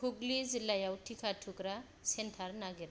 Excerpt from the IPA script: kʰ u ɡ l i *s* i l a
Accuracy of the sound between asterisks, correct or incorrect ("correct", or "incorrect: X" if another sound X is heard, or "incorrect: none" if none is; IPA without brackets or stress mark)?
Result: incorrect: z